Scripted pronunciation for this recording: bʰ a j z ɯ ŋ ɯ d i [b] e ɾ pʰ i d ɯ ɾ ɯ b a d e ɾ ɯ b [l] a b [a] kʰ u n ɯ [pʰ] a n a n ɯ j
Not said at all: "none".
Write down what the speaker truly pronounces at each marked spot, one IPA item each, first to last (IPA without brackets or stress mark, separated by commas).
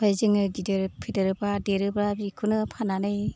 d, ɾ, i, pʰ